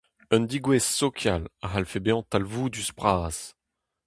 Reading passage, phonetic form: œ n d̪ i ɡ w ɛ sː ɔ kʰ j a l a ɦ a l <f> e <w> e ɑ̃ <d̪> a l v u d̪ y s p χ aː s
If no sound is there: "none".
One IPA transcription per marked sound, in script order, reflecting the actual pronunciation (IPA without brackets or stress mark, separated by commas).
f, b, t̪